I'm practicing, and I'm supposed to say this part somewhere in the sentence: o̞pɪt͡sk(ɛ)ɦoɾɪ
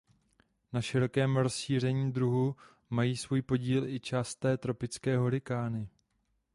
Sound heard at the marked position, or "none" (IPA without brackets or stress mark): ɛː